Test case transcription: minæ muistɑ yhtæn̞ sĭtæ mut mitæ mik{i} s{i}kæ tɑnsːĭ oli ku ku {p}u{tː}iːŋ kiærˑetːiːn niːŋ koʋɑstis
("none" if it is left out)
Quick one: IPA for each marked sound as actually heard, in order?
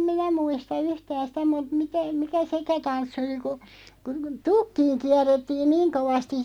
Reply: æ, e, t, kː

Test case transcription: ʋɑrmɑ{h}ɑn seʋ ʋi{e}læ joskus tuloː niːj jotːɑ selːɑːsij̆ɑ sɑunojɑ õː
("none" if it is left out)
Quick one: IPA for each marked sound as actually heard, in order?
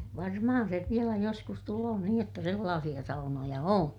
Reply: h, e

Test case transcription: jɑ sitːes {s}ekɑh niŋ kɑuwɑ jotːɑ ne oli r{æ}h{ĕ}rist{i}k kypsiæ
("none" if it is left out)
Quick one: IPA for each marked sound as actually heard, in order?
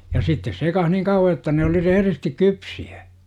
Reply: s, e, ĕ, i

